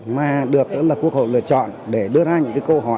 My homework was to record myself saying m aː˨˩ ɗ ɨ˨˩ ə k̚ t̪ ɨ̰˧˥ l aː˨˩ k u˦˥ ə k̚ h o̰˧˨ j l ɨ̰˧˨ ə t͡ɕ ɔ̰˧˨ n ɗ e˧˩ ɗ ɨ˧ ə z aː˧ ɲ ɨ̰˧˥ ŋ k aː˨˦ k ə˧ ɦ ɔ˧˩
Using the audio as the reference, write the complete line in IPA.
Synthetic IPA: m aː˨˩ ɗ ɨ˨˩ ə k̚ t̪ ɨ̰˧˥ l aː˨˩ k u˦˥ ə k̚ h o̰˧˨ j l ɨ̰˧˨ ə t͡ɕ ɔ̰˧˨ n ɗ e˧˩ ɗ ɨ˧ ə z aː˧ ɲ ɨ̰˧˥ ŋ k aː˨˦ k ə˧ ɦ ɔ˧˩